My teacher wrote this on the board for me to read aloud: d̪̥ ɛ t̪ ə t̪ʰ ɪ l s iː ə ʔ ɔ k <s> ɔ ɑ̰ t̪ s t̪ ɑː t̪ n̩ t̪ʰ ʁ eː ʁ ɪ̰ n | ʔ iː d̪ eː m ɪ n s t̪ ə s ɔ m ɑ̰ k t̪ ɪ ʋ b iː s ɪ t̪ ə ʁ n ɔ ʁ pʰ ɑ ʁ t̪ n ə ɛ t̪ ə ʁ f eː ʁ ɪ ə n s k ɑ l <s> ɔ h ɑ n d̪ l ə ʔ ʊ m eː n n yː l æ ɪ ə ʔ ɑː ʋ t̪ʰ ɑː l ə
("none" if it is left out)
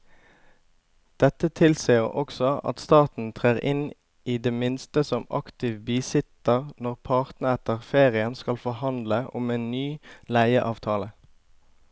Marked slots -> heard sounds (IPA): s, f

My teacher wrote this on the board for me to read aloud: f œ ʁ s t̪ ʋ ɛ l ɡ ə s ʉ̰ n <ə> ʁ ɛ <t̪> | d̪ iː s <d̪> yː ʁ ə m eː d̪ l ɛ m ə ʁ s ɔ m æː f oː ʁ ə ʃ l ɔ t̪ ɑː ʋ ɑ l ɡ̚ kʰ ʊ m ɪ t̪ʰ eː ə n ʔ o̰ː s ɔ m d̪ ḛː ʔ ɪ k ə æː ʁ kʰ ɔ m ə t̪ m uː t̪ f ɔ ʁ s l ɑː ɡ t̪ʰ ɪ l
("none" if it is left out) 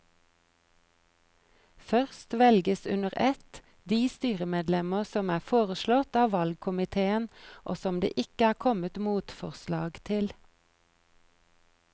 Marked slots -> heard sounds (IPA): ə, t̪, t̪

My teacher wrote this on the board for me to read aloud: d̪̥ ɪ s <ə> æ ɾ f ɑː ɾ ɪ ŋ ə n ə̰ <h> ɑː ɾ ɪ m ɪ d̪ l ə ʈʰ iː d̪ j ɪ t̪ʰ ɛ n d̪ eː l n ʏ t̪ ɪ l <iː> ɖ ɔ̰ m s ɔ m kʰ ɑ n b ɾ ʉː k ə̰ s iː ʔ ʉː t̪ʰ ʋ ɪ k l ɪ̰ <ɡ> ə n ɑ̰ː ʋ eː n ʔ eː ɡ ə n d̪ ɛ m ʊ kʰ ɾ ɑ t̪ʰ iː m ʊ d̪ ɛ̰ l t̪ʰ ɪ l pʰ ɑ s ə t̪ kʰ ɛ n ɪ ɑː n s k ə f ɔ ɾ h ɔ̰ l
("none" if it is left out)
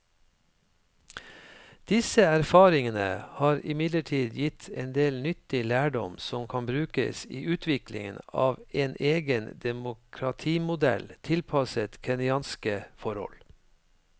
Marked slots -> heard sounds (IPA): ə, h, æː, ŋ

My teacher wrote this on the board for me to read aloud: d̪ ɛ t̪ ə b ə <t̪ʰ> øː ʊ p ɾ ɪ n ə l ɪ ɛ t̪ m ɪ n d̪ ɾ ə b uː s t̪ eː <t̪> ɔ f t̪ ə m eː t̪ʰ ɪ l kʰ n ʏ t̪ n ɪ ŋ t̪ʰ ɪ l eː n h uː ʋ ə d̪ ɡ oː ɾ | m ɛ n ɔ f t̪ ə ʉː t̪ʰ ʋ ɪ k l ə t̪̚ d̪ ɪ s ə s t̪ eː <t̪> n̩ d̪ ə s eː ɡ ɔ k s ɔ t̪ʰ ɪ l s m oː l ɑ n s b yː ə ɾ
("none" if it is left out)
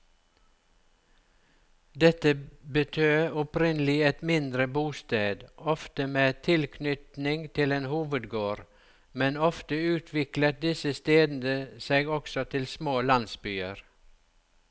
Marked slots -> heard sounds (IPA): t̪ʰ, d̪, d̪

